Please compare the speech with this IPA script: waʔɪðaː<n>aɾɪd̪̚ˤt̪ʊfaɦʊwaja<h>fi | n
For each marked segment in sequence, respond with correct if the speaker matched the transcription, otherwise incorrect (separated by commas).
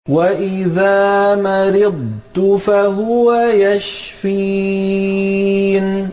incorrect, incorrect